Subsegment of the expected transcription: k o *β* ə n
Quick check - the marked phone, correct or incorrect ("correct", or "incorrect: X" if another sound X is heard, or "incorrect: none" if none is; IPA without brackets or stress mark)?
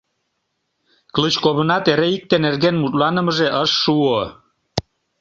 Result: correct